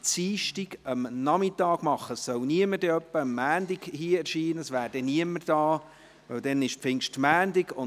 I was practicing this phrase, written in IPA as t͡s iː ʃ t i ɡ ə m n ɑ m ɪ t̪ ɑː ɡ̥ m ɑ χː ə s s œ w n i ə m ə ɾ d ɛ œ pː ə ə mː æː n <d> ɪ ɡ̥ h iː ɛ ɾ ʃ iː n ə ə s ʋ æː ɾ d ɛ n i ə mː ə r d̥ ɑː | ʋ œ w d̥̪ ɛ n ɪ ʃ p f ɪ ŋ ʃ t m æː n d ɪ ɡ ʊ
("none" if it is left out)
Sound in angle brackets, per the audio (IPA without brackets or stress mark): d